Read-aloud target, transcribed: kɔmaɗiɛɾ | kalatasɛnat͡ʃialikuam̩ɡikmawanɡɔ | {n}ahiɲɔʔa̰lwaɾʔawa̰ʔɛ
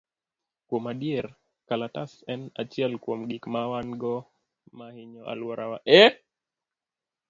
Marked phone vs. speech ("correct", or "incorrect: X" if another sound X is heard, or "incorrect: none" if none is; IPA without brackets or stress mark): incorrect: m